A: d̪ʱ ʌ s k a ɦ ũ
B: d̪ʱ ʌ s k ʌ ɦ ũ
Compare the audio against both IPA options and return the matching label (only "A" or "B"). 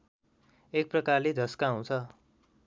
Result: A